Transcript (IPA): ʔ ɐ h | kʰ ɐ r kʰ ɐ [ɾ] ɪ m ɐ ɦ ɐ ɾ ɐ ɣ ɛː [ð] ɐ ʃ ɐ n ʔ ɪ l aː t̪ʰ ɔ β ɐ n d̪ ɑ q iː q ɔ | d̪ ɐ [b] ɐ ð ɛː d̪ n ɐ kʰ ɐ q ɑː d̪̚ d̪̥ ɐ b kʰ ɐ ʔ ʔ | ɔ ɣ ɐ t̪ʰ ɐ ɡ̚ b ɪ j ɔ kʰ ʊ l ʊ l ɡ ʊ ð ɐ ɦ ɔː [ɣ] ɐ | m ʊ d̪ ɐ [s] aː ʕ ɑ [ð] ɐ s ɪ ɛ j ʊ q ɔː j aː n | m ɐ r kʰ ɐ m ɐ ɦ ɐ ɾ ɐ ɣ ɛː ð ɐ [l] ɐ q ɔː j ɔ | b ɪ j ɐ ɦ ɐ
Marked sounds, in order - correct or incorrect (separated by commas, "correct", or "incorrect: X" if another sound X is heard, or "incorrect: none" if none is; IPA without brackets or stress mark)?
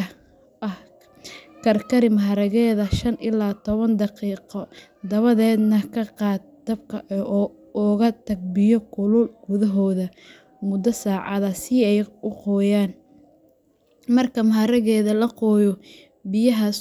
correct, correct, incorrect: β, incorrect: ð, correct, correct, correct